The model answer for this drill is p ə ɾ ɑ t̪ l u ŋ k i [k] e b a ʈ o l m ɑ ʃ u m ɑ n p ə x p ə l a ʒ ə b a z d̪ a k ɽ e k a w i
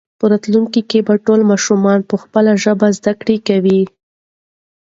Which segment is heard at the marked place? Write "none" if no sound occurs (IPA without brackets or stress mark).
k